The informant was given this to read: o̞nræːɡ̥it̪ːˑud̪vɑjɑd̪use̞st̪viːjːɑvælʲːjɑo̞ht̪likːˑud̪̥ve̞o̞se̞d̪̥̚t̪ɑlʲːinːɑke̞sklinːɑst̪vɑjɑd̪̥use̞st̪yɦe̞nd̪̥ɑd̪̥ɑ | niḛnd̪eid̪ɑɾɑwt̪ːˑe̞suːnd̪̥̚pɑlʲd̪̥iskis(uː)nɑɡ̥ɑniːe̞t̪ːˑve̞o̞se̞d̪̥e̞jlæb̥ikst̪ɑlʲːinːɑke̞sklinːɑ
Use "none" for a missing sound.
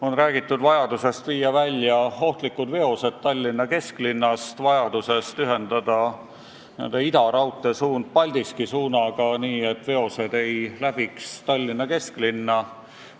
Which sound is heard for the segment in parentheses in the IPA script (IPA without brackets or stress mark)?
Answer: uː